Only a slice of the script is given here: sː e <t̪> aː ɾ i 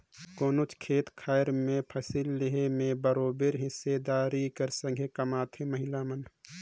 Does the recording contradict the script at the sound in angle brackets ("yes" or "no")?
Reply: yes